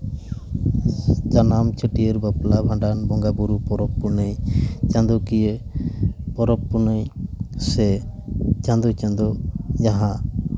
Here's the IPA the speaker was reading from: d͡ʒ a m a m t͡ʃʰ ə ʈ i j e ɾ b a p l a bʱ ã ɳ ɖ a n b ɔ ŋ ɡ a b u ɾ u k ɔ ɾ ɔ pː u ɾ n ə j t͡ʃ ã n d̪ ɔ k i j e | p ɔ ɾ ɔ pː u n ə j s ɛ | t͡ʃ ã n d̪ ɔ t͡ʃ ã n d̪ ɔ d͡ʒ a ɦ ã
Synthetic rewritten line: d͡ʒ a n a m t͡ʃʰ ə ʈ i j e ɾ b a p l a bʱ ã ɳ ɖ a n b ɔ ŋ ɡ a b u ɾ u p ɔ ɾ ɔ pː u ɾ n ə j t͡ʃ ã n d̪ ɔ k i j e | p ɔ ɾ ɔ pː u n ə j s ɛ | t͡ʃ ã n d̪ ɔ t͡ʃ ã n d̪ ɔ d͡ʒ a ɦ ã